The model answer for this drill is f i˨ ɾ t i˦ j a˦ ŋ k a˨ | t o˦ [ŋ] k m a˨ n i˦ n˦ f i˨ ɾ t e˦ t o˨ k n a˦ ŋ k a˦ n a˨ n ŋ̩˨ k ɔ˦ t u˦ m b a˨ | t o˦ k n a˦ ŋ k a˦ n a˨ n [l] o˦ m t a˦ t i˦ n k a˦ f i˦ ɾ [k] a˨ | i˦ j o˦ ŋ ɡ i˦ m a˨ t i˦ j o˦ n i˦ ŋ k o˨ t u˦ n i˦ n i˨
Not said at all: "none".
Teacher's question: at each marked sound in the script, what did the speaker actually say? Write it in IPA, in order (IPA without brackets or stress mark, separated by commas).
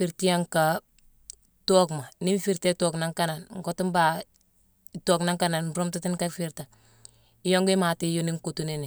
none, ɾ, t